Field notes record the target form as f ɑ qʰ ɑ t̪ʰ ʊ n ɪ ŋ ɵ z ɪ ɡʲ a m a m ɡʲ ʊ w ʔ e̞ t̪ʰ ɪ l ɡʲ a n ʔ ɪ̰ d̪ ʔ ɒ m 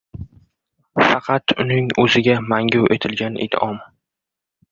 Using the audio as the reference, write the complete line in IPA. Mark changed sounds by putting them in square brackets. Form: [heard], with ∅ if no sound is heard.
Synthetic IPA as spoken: f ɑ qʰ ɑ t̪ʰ ʊ n ɪ ŋ ɵ z ɪ ɡʲ a m a [ŋ] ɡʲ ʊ w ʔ e̞ t̪ʰ ɪ l ɡʲ a n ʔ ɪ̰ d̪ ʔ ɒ m